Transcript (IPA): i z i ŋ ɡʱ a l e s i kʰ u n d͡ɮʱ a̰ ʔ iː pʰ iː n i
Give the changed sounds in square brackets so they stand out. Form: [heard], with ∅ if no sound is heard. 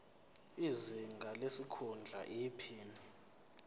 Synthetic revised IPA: i z i ŋ ɡʱ a l e s i kʰ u n d͡ɮʱ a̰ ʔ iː pʰ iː n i